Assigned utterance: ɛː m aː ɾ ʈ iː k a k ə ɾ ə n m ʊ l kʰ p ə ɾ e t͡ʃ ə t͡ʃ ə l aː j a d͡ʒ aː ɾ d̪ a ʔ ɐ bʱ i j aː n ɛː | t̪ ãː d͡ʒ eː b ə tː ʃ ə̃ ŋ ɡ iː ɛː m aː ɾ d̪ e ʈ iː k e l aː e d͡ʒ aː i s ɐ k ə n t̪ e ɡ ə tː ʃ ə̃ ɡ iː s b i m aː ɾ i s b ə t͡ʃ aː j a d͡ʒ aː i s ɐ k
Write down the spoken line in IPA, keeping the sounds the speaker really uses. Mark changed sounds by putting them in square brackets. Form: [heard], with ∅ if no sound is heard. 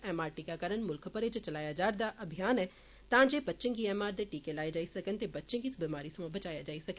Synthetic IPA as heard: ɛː m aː ɾ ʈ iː k a k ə ɾ ə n m ʊ l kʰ p ə ɾ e t͡ʃ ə t͡ʃ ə l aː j a d͡ʒ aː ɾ d̪ a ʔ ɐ bʱ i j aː n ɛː | t̪ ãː d͡ʒ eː b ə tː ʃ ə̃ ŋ ɡ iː ɛː m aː ɾ d̪ e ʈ iː k e l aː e d͡ʒ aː i s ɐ k ə n t̪ e [b] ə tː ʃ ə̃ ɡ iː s b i m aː ɾ i s b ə t͡ʃ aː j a d͡ʒ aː i s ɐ k

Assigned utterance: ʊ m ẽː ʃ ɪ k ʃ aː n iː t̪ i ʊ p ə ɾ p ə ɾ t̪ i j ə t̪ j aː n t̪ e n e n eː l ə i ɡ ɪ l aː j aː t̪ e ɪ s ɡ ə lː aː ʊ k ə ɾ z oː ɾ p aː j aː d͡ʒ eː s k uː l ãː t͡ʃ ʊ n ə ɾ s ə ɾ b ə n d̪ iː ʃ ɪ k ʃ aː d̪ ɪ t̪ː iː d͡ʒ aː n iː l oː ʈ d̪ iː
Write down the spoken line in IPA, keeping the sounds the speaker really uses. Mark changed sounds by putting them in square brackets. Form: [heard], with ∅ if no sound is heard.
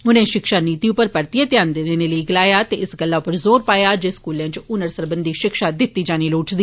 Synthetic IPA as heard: ʊ [n] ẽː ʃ ɪ k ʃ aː n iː t̪ i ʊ p ə ɾ p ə ɾ t̪ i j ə t̪ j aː n [d̪] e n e n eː l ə i ɡ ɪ l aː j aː t̪ e ɪ s ɡ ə lː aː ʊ [p] ə ɾ z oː ɾ p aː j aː d͡ʒ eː s k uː l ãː t͡ʃ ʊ n ə ɾ s ə ɾ b ə n d̪ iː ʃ ɪ k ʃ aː d̪ ɪ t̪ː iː d͡ʒ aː n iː l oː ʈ d̪ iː

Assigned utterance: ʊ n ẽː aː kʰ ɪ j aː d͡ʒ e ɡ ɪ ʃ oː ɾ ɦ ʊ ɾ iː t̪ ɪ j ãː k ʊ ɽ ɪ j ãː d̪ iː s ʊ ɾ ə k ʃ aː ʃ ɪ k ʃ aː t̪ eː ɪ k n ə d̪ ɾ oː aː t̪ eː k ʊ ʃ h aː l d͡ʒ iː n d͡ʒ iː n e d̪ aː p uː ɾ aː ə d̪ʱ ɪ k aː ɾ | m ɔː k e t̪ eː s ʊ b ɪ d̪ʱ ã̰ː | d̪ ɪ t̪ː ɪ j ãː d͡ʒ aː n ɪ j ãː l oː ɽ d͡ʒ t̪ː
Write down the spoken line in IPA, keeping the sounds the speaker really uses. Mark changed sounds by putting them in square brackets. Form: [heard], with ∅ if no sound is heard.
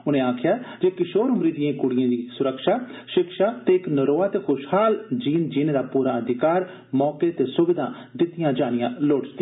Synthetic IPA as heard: ʊ n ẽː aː kʰ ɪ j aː d͡ʒ e [k] ɪ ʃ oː ɾ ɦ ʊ ɾ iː [d̪] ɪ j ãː k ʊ ɽ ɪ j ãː d̪ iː s ʊ ɾ ə k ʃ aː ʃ ɪ k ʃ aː t̪ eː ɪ k n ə [∅] ɾ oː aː t̪ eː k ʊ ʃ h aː l d͡ʒ iː n d͡ʒ iː n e d̪ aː p uː ɾ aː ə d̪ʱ ɪ k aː ɾ | m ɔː k e t̪ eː s ʊ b ɪ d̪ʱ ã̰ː | d̪ ɪ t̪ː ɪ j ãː d͡ʒ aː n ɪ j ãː l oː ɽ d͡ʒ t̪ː

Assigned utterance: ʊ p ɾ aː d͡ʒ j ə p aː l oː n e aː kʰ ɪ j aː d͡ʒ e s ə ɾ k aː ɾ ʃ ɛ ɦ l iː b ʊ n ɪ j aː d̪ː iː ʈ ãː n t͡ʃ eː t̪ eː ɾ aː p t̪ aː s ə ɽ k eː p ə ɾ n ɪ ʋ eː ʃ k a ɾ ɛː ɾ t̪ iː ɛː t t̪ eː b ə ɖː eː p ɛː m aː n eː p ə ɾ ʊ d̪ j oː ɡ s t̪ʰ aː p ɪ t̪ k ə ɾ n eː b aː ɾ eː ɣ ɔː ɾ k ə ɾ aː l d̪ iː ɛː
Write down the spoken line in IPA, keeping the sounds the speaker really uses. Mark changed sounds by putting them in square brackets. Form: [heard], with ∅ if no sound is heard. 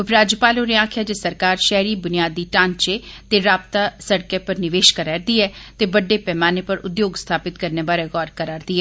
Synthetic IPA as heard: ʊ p ɾ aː d͡ʒ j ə p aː l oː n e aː kʰ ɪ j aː d͡ʒ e s ə ɾ k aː ɾ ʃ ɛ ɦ [ɾ] iː b ʊ n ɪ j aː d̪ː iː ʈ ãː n t͡ʃ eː t̪ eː ɾ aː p t̪ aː s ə ɽ k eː p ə ɾ n ɪ ʋ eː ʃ k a ɾ ɛː ɾ [d̪] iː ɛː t t̪ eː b ə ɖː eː p ɛː m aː n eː p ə ɾ ʊ d̪ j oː ɡ s t̪ʰ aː p ɪ t̪ k ə ɾ n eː b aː ɾ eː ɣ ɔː ɾ k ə ɾ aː [ɾ] d̪ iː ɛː

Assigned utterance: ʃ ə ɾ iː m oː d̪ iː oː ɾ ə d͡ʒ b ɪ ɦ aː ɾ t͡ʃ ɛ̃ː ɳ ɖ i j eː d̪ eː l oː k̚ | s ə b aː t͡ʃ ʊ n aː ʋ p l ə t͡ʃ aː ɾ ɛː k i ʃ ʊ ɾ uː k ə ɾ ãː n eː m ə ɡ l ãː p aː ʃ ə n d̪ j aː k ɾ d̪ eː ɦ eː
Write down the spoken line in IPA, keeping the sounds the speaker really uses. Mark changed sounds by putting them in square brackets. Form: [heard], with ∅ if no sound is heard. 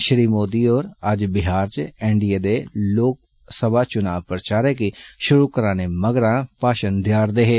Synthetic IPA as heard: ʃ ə ɾ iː m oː d̪ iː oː ɾ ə d͡ʒ b ɪ ɦ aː ɾ t͡ʃ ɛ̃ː ɳ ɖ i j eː d̪ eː l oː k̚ | s ə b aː t͡ʃ ʊ n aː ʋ p [ɾ] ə t͡ʃ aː ɾ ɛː k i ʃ ʊ ɾ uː k ə ɾ [aː] n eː m ə ɡ [ɾ] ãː p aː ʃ ə n d̪ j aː [∅] ɾ d̪ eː ɦ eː

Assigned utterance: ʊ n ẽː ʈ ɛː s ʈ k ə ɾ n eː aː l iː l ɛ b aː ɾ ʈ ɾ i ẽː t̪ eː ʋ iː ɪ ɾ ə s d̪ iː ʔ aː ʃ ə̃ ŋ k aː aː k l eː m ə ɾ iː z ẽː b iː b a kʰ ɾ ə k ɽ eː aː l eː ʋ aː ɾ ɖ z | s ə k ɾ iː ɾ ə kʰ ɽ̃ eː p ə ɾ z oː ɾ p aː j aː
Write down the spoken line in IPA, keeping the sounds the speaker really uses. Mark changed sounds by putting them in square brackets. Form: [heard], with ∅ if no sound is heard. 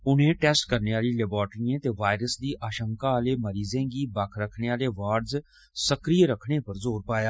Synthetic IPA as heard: ʊ n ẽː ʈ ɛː s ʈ k ə ɾ n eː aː l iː l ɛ b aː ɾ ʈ ɾ i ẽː t̪ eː ʋ [aː] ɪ ɾ ə s d̪ iː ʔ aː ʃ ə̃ ŋ k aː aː [∅] l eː m ə ɾ iː z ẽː [ɡ] iː b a kʰ ɾ ə [kʰ] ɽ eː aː l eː ʋ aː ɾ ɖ z | s ə k ɾ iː ɾ ə kʰ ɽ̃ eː p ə ɾ z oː ɾ p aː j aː

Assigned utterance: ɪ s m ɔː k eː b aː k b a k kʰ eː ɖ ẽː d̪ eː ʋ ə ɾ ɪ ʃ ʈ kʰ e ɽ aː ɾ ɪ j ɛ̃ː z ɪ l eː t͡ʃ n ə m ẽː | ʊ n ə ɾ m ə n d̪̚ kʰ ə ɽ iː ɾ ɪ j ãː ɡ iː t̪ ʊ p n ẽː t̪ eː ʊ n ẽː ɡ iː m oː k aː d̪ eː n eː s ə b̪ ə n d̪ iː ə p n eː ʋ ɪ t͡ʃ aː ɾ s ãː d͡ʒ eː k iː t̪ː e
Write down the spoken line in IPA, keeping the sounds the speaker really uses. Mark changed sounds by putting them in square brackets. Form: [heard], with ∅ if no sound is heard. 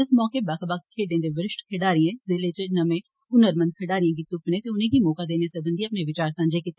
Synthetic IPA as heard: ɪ s m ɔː k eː b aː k b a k kʰ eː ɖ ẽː d̪ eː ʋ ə ɾ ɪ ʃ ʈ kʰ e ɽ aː ɾ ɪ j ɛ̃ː z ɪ l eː t͡ʃ n ə m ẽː | ʊ n ə ɾ m ə n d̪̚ kʰ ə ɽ [aː] ɾ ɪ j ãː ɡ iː t̪ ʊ p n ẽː t̪ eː ʊ n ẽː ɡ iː m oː k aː d̪ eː n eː s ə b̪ ə n d̪ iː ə p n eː ʋ ɪ t͡ʃ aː ɾ s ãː d͡ʒ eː k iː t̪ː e

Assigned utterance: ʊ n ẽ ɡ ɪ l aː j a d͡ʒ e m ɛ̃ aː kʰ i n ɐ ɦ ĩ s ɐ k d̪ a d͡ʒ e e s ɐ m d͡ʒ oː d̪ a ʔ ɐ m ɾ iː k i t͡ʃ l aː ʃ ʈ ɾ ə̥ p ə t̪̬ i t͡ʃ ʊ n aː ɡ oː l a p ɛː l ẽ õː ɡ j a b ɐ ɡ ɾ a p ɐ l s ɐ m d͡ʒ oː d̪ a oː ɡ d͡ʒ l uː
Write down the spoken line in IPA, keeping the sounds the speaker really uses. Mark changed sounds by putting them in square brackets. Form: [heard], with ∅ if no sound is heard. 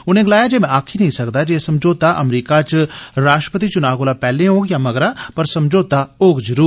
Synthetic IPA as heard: ʊ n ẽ ɡ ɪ l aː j a d͡ʒ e m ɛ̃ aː kʰ i n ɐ ɦ ĩ s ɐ k d̪ a d͡ʒ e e s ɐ m d͡ʒ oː [t̪] a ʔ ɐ m ɾ iː k [a] t͡ʃ [ɾ] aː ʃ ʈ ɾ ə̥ p ə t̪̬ i t͡ʃ ʊ n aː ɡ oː l a p ɛː l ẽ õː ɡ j a [m] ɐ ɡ ɾ a p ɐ [ɾ] s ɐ m d͡ʒ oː [t̪] a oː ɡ d͡ʒ [ɾ] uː

